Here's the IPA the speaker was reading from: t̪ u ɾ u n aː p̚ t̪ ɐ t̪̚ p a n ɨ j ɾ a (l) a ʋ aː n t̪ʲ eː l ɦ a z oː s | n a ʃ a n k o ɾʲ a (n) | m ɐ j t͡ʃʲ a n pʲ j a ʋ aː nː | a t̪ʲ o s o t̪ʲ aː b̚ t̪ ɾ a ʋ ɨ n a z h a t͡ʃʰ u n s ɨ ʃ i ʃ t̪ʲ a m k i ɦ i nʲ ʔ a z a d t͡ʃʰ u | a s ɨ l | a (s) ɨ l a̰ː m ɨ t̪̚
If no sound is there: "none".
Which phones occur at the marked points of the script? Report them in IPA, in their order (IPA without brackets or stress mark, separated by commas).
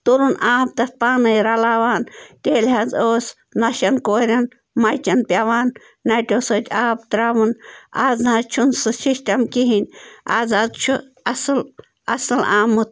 l, n, s